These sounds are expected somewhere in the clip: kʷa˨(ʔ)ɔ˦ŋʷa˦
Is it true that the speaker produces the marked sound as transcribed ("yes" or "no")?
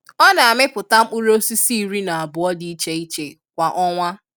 yes